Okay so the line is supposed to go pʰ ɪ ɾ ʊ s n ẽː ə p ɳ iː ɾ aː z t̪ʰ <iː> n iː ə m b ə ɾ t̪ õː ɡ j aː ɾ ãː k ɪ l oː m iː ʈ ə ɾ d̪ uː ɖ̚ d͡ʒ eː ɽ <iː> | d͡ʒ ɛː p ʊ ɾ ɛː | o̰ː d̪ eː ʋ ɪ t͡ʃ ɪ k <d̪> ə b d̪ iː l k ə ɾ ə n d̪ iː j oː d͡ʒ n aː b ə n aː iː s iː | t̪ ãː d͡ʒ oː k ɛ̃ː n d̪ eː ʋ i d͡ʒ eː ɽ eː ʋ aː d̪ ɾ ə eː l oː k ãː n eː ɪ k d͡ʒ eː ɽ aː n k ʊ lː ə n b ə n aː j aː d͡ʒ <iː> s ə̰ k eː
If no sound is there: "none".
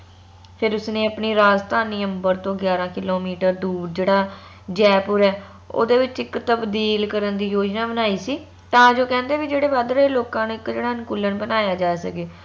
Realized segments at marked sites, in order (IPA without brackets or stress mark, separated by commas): aː, aː, t̪, aː